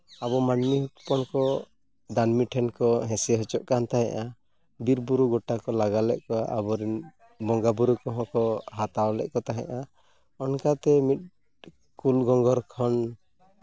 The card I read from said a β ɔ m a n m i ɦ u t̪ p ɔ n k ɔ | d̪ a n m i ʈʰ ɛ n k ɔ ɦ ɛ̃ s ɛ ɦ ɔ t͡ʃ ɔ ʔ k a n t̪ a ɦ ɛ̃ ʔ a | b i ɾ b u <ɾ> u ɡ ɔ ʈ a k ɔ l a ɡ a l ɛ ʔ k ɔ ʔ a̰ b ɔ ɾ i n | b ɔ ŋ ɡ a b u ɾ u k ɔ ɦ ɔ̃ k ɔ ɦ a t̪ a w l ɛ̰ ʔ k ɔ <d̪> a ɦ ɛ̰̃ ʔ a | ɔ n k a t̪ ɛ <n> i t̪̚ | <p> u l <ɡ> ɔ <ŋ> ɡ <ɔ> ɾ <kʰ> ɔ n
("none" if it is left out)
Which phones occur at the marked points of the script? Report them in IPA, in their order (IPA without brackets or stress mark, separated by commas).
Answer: ɾ, t̪, m, k, ɡ, ŋ, ɔ, kʰ